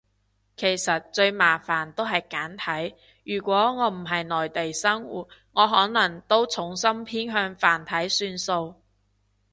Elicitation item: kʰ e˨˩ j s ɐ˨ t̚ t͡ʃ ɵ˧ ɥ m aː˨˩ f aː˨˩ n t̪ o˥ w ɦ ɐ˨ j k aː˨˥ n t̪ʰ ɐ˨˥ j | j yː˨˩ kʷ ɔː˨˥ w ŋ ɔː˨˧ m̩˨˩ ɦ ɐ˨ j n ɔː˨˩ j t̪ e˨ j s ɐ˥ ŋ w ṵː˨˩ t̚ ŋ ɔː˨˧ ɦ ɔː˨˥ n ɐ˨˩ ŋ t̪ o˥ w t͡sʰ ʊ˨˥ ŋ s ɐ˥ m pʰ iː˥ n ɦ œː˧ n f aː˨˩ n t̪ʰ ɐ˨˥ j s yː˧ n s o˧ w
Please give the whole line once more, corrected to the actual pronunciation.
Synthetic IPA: kʰ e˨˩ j s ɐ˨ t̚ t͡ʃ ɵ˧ ɥ m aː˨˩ f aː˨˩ n t̪ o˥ w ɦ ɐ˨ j k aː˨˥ n t̪ʰ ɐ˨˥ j | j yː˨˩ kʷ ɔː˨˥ ŋ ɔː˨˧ m̩˨˩ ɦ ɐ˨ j n ɔː˨˩ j t̪ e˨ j s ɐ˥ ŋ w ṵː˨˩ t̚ ŋ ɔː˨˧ ɦ ɔː˨˥ n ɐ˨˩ ŋ t̪ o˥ w t͡sʰ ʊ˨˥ ŋ s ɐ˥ m pʰ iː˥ n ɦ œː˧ ŋ f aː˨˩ n t̪ʰ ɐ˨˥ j s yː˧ n s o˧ w